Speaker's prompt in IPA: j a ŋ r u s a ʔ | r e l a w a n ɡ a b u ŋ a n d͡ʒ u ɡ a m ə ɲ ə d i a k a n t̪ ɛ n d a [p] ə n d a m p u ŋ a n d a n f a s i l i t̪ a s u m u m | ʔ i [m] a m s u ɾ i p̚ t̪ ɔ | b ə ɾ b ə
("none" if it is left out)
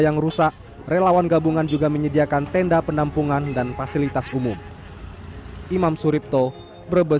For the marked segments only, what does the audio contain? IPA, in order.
p, m

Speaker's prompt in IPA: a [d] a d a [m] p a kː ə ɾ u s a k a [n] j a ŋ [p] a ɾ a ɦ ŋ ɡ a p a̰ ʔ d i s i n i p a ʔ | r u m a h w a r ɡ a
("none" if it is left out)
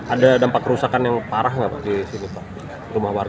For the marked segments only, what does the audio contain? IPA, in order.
d, m, n, p

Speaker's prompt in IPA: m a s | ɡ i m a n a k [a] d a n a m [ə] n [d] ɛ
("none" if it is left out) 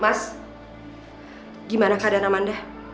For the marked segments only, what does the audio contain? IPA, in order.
a, a, d

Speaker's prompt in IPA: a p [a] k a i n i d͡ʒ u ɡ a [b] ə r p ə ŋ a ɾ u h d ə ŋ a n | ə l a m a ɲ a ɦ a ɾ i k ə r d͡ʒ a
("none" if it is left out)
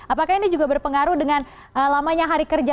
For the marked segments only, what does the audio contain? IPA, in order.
a, b

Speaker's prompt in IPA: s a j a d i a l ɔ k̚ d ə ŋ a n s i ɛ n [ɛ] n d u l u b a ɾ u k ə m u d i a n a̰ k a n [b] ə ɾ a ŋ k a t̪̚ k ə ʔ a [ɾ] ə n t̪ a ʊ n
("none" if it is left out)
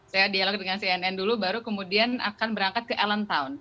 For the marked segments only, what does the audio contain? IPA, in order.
ɛ, b, l

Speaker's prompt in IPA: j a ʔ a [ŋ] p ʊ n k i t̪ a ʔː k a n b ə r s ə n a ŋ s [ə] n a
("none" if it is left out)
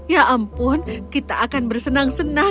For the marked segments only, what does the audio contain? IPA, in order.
m, ə

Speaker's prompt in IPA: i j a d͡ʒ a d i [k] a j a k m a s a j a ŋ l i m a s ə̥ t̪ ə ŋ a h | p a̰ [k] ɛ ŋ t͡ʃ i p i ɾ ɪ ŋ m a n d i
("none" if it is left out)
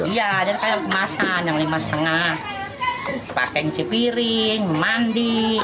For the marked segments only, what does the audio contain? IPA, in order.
k, k

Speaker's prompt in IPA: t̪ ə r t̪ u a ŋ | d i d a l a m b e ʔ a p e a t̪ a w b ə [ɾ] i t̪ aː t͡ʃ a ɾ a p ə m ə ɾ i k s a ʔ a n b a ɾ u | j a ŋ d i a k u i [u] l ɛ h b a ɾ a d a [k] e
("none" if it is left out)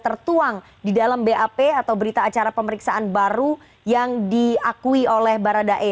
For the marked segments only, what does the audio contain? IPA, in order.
ɾ, o, ʔ

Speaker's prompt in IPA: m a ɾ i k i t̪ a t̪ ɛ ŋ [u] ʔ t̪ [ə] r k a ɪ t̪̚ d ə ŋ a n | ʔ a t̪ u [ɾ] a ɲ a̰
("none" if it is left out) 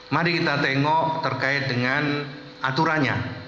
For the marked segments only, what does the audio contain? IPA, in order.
ɔ, ə, ɾ

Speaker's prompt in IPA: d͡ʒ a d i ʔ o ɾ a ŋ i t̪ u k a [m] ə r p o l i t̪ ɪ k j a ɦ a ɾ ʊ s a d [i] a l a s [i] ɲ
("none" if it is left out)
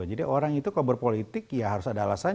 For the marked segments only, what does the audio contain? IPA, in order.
b, a, a

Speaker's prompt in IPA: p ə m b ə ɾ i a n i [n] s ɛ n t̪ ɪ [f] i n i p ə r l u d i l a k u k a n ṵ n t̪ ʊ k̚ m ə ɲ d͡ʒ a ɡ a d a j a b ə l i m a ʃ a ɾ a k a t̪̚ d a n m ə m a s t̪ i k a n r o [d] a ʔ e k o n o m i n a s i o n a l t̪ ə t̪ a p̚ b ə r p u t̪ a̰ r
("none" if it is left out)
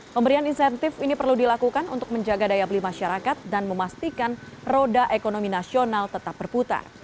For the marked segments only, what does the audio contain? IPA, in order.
n, f, d

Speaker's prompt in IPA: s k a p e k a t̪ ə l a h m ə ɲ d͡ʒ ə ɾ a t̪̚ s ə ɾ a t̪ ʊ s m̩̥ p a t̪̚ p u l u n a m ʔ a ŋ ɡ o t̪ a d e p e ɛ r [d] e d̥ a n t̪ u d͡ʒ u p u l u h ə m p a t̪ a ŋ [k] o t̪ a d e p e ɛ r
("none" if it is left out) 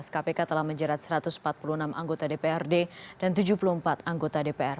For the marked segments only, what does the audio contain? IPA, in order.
d, ɡ

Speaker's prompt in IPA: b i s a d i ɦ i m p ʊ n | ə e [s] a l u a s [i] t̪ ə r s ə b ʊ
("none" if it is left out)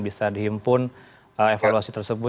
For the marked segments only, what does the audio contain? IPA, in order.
f, i

